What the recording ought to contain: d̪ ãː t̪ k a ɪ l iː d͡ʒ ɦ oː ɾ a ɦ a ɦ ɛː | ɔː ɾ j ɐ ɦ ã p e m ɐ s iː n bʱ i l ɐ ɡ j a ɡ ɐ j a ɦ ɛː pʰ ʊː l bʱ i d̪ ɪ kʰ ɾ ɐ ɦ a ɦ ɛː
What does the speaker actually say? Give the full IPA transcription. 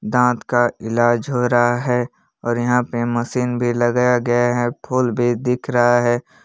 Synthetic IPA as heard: d̪ ãː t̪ k a ɪ l aː d͡ʒ ɦ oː ɾ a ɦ a ɦ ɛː | ɔː ɾ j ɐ ɦ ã p e m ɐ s iː n bʱ i l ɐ ɡ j a ɡ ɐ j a ɦ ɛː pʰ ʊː l bʱ i d̪ ɪ kʰ ɾ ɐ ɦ a ɦ ɛː